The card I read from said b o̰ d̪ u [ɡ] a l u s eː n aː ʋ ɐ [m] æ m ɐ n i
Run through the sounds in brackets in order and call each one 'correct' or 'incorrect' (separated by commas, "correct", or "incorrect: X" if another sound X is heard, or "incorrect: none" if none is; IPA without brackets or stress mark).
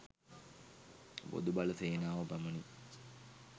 incorrect: b, incorrect: b